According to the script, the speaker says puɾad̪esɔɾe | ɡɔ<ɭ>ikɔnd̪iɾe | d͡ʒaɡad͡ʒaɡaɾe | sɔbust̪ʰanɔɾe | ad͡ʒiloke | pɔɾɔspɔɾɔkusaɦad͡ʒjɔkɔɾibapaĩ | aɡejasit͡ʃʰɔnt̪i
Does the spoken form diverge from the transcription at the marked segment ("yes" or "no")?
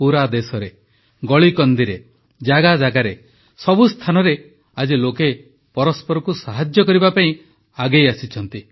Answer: no